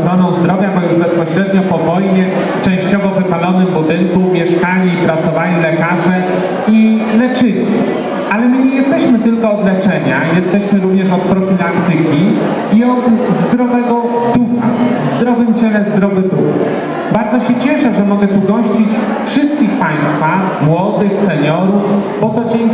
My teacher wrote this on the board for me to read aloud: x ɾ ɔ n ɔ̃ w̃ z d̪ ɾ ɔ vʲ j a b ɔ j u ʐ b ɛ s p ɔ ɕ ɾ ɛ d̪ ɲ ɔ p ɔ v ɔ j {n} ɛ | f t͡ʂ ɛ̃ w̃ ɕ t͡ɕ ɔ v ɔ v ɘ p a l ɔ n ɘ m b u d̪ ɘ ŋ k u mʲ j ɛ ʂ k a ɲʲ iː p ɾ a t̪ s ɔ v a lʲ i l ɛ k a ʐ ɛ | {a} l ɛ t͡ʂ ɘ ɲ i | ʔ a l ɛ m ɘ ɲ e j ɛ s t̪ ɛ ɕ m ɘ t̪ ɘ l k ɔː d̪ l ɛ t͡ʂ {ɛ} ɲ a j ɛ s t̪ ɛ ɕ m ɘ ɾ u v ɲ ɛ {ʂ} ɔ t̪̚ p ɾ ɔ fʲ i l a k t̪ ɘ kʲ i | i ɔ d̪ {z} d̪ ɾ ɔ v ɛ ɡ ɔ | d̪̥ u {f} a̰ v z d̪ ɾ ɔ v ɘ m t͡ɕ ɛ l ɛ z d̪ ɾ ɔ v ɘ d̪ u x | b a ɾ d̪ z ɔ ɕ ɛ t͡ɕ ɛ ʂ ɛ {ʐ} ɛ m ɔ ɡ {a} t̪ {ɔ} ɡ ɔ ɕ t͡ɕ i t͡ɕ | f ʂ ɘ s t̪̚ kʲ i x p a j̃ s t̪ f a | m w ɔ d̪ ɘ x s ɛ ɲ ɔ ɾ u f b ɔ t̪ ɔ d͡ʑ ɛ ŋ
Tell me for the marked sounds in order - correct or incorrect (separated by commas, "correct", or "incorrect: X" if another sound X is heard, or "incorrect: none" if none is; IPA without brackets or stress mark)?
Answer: incorrect: ɲ, incorrect: i, correct, correct, correct, incorrect: x, correct, incorrect: ɛ, incorrect: u